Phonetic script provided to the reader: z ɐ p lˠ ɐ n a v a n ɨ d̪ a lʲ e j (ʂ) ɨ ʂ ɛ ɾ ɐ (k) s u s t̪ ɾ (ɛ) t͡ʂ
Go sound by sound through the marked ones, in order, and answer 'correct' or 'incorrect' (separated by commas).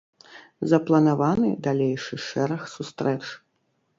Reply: correct, incorrect, correct